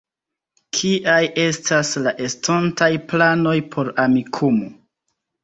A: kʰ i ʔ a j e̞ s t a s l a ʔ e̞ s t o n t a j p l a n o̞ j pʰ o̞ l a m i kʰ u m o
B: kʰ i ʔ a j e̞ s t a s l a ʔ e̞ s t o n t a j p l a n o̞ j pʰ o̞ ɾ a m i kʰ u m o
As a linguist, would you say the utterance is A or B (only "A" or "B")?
B